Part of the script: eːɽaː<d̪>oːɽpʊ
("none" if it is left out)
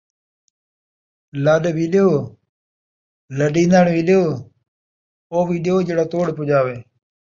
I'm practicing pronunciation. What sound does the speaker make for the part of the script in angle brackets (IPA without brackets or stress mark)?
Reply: t̪